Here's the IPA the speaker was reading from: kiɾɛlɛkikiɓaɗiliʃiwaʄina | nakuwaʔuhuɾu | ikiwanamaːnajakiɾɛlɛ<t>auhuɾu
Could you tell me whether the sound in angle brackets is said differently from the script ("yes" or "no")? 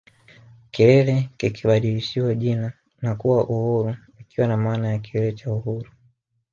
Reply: yes